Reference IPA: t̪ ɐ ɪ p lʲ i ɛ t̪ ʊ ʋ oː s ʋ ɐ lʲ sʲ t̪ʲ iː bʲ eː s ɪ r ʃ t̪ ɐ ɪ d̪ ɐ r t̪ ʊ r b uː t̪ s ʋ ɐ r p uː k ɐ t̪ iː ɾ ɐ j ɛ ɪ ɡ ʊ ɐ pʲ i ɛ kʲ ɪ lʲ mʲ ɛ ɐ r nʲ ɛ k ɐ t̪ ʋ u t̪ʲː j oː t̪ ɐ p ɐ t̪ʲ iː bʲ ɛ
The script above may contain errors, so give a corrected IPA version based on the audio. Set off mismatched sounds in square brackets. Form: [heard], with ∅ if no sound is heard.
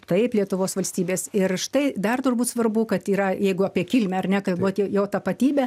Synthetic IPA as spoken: t̪ ɐ ɪ p lʲ i ɛ t̪ ʊ ʋ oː s ʋ ɐ lʲ sʲ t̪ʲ iː bʲ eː s ɪ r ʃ t̪ ɐ ɪ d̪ ɐ r t̪ ʊ r b uː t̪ s ʋ ɐ r [b] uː k ɐ t̪ iː ɾ ɐ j ɛ ɪ ɡ ʊ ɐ pʲ i ɛ kʲ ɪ lʲ mʲ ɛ ɐ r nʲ ɛ k ɐ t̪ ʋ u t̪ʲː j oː t̪ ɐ p ɐ t̪ʲ iː bʲ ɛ